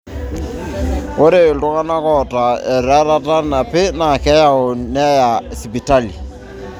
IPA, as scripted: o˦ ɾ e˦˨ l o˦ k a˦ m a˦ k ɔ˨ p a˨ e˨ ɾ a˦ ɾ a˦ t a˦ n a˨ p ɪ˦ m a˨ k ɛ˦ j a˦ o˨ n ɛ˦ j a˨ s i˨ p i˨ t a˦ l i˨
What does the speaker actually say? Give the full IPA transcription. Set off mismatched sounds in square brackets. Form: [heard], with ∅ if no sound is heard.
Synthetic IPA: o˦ ɾ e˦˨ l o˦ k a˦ [n] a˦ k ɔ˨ [t] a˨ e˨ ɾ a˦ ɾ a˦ t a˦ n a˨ p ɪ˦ [n] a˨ k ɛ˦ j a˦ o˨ n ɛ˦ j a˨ s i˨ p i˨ t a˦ l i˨